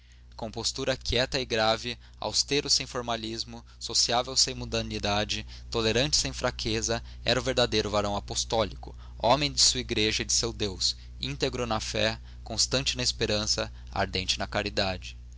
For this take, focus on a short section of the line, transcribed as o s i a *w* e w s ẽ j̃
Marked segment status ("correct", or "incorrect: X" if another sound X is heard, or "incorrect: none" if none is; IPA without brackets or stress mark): incorrect: v